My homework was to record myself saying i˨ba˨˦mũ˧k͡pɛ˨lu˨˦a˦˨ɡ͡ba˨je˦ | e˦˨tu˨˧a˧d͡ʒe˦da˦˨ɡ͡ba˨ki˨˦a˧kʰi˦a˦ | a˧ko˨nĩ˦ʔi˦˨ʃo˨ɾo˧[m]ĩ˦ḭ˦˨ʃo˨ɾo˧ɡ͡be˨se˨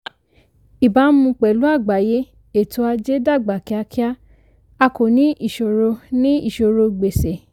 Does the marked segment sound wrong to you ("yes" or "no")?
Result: yes